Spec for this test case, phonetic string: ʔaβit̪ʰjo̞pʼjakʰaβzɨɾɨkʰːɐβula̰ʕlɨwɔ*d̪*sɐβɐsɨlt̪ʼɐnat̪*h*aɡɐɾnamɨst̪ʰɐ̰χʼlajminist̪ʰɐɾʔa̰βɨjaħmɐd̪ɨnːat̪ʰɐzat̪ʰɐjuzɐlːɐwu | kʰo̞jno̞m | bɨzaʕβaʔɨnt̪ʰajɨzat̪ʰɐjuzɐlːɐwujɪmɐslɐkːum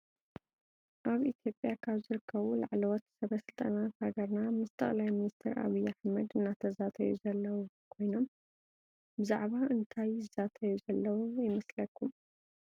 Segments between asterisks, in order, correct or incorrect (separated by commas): incorrect, correct